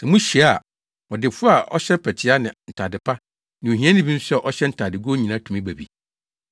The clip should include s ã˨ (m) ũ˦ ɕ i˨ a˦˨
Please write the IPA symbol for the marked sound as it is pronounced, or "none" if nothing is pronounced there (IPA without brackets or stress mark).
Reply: m